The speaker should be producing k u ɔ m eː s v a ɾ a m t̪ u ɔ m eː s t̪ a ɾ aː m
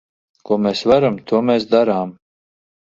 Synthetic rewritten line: k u ɔ m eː s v a ɾ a m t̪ u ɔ m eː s d̪ a ɾ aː m